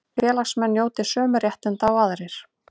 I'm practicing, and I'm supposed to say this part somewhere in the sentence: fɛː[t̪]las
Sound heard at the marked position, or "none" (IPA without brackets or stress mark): none